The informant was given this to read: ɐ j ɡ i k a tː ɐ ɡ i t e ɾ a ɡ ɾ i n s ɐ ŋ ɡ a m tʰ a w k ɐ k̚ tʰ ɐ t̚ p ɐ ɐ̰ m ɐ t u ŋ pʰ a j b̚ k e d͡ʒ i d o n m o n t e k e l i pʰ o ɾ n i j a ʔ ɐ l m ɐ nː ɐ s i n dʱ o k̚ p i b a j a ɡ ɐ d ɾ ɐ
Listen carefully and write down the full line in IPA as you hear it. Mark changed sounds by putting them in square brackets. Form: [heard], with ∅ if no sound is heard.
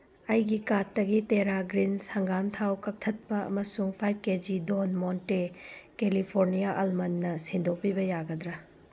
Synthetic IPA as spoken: ɐ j ɡ i k a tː ɐ ɡ i t e ɾ a ɡ ɾ i n s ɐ ŋ ɡ a m tʰ a w k ɐ k̚ tʰ ɐ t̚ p ɐ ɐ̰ m ɐ [s] u ŋ pʰ a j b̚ k e d͡ʒ i d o n m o n t e k e l i pʰ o ɾ n i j a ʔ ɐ l m ɐ nː ɐ s i n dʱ o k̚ p i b [ɐ] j a ɡ ɐ d ɾ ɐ